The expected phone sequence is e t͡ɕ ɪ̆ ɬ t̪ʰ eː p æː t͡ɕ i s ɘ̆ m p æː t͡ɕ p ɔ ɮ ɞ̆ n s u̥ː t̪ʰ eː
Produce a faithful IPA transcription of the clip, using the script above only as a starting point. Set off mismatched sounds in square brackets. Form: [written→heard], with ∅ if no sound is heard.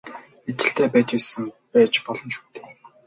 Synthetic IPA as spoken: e t͡ɕ ɪ̆ ɬ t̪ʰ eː p æː t͡ɕ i s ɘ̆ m p æː t͡ɕ p ɔ ɮ ɞ̆ n [s→ʃ] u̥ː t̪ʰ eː